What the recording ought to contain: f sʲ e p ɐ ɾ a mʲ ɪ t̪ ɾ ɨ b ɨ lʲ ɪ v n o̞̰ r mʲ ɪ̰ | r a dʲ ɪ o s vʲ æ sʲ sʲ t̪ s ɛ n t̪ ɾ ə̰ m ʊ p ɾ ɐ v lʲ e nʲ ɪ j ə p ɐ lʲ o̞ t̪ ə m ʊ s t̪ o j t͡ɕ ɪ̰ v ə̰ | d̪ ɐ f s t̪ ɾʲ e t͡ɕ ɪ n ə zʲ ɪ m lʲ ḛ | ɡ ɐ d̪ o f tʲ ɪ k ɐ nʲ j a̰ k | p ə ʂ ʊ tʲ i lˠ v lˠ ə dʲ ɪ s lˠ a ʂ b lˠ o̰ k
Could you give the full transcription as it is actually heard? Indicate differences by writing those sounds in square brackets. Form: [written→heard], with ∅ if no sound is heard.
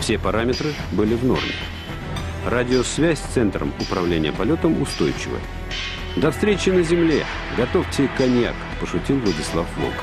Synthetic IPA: f sʲ e p ɐ ɾ a mʲ ɪ t̪ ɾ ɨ b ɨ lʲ ɪ v n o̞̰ r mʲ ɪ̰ | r a dʲ ɪ o s vʲ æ sʲ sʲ t̪ s ɛ n t̪ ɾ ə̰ m ʊ p ɾ ɐ v lʲ e nʲ ɪ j ə p ɐ lʲ o̞ t̪ ə m ʊ s t̪ o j t͡ɕ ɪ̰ v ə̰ | d̪ ɐ f s t̪ ɾʲ e t͡ɕ ɪ n ə zʲ ɪ m lʲ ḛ | ɡ ɐ [d̪→t̪] o f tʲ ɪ k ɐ nʲ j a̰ k | p ə ʂ ʊ tʲ i lˠ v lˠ ə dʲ ɪ s lˠ a [ʂ→f] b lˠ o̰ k